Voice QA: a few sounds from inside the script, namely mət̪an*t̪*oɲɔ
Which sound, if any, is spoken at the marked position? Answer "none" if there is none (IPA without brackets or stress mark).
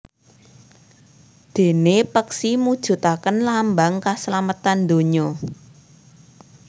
d̪